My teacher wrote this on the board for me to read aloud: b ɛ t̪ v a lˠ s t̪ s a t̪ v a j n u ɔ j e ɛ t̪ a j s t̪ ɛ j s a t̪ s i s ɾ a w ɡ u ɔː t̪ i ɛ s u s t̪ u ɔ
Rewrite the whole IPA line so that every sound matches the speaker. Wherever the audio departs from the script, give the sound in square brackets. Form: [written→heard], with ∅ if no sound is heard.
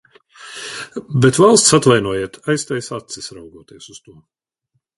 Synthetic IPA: b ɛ t̪ v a lˠ s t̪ s a t̪ v a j n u ɔ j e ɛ t̪ a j s t̪ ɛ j s a t̪ s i s ɾ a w ɡ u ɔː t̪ i ɛ s u s t̪ u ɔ